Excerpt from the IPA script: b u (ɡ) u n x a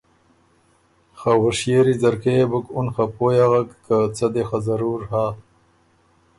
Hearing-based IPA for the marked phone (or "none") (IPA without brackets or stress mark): k